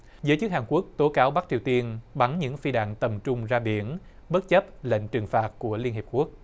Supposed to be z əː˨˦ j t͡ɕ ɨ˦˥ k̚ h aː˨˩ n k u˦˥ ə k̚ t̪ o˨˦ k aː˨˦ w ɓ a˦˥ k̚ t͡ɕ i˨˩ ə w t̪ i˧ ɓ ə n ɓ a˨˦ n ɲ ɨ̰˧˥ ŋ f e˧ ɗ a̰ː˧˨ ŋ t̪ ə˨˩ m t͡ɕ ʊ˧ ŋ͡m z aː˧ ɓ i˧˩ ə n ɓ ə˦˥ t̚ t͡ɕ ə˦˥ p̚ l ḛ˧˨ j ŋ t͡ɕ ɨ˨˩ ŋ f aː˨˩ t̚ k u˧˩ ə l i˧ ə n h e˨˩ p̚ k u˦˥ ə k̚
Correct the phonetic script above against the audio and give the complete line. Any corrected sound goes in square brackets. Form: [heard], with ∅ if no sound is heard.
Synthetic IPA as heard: z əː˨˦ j t͡ɕ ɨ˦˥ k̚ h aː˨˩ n k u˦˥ ə k̚ t̪ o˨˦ k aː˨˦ w ɓ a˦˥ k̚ t͡ɕ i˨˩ ə w t̪ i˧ [∅] ə n ɓ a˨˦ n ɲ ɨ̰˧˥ ŋ f [i˧] ɗ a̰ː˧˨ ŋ t̪ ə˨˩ m t͡ɕ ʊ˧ ŋ͡m z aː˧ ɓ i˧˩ ə n ɓ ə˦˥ t̚ t͡ɕ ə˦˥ p̚ l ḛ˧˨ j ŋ t͡ɕ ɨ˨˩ ŋ f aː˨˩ t̚ k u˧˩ ə l i˧ ə n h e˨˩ p̚ k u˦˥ ə k̚